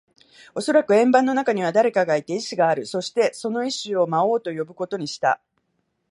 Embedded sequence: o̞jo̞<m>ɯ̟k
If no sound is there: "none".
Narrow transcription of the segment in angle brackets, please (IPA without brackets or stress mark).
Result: b